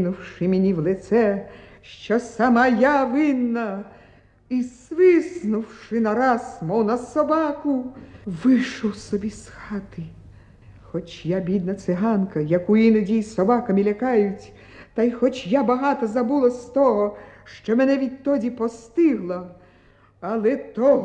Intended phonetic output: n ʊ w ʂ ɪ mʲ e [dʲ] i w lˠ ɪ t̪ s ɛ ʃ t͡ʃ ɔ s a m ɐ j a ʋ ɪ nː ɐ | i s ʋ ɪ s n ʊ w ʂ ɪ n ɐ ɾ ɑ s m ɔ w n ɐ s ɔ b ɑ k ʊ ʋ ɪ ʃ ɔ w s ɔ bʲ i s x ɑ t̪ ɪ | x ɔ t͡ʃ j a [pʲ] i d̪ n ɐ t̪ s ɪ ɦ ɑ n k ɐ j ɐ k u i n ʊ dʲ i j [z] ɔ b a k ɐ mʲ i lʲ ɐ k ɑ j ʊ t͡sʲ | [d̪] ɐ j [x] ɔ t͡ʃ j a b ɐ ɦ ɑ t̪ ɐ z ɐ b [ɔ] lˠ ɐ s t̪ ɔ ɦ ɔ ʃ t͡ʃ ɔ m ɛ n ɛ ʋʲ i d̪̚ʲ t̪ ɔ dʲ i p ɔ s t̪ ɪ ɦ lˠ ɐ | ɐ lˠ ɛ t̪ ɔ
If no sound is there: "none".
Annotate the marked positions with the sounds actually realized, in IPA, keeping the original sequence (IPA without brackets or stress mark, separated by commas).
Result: nʲ, bʲ, s, t̪, x, u